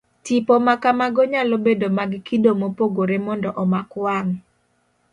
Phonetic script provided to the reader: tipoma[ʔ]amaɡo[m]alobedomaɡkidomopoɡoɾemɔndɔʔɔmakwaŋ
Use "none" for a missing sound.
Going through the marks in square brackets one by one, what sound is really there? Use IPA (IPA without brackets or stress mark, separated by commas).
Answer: k, ɲ